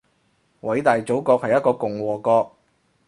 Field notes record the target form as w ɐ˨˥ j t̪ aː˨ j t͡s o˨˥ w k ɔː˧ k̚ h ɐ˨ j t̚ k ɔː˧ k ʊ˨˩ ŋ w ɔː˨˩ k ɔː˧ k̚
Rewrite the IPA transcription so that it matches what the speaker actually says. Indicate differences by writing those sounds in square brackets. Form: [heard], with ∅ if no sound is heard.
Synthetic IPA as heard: w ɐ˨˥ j t̪ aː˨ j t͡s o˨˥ w k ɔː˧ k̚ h ɐ˨ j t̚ k ɔː˧ k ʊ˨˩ ŋ w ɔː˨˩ k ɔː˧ k̚

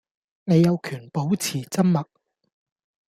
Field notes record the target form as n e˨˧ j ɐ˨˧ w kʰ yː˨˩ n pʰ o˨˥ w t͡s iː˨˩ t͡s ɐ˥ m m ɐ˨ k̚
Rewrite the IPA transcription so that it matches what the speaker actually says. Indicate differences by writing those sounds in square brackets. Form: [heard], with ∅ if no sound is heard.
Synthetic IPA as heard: n e˨˧ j ɐ˨˧ w kʰ yː˨˩ n [p] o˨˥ w [t͡sʰ] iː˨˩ t͡s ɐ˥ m m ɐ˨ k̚

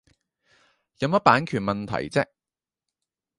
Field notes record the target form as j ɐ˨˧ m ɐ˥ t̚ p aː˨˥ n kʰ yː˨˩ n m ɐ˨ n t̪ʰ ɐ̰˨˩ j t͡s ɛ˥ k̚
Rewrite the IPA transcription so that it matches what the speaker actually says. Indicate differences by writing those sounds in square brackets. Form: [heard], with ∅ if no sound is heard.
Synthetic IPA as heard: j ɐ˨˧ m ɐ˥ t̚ p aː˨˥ n kʰ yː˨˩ n m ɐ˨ n t̪ʰ ɐ̰˨˩ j t͡s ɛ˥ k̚

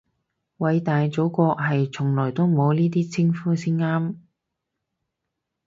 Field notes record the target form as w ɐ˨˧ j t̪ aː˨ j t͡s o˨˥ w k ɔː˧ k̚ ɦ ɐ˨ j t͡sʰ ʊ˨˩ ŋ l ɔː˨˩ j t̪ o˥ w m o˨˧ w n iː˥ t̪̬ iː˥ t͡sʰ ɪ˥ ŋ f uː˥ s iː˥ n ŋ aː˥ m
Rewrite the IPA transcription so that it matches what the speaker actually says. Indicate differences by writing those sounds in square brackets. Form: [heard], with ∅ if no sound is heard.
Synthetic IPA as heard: w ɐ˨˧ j t̪ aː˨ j t͡s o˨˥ w k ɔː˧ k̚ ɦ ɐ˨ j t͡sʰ ʊ˨˩ ŋ l ɔː˨˩ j t̪ o˥ w m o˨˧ w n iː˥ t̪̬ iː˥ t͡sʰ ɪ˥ ŋ f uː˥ s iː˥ n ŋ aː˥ m

